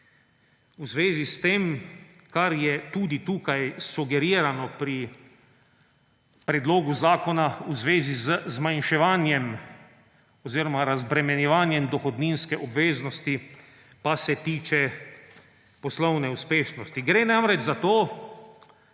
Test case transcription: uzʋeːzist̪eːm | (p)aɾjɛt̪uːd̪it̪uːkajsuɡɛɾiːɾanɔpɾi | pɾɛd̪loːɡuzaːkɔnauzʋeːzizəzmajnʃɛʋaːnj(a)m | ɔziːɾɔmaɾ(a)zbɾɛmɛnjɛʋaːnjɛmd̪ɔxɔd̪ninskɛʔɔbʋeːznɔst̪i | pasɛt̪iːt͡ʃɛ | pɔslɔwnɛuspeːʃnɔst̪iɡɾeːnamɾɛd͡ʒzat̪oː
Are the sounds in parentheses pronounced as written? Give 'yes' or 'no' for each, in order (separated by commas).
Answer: no, no, yes